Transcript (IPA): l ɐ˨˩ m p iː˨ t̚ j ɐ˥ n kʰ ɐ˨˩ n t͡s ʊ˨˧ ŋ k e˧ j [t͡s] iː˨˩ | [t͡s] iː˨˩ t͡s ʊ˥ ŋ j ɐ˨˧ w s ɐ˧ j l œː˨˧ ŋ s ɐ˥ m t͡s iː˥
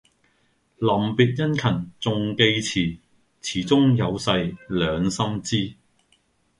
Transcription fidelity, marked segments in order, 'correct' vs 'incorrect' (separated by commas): incorrect, incorrect